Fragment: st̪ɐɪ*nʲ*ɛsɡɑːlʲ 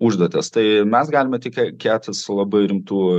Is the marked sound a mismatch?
yes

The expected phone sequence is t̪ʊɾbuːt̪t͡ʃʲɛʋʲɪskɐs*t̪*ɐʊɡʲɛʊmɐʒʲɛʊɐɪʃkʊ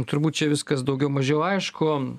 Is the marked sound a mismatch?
yes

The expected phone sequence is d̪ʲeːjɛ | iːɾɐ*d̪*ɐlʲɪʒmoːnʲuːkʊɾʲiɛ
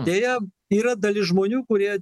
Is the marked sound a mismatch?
no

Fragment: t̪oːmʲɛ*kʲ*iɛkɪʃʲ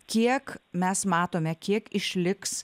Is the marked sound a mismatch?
no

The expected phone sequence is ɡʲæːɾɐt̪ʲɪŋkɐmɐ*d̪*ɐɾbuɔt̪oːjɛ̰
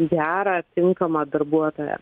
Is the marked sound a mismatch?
no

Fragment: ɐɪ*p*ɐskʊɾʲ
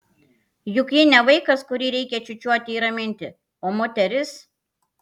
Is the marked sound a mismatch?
yes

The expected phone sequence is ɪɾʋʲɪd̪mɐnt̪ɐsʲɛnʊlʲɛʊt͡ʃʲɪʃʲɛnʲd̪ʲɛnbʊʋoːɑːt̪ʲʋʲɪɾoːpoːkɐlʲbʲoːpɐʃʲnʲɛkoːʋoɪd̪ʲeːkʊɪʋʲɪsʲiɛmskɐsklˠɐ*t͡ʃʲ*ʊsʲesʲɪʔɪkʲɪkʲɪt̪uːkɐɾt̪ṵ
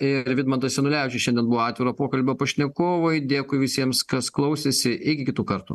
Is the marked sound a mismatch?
yes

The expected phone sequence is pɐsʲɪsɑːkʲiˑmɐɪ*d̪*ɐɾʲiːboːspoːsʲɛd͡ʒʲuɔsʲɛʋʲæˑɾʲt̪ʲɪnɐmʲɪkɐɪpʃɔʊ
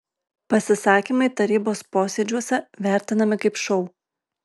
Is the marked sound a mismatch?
yes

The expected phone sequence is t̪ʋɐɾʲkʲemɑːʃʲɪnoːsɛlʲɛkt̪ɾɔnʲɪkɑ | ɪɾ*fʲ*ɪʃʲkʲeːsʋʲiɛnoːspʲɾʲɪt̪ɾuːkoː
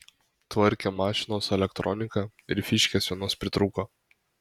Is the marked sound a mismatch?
no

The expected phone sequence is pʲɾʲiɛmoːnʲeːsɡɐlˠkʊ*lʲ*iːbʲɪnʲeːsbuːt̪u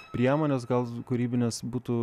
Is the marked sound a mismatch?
yes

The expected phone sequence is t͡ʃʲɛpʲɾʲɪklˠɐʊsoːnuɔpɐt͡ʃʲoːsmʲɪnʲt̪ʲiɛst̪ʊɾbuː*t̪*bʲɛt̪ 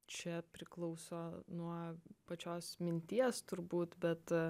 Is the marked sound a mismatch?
no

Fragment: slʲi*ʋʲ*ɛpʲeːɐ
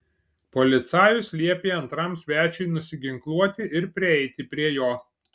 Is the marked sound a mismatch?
yes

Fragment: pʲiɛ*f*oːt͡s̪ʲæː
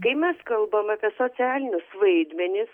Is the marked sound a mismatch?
yes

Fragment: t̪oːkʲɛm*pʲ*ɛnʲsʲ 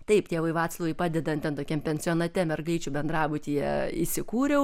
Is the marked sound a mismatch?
no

